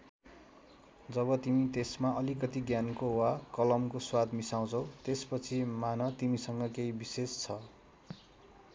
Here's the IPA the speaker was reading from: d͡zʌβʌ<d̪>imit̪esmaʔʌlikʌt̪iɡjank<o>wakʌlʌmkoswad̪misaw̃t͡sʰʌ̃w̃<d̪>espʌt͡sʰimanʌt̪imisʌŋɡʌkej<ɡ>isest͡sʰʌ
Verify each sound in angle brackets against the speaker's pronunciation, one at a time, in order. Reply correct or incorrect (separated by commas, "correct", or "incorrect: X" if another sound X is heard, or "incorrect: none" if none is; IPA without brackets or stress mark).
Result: incorrect: t̪, correct, incorrect: t̪, incorrect: b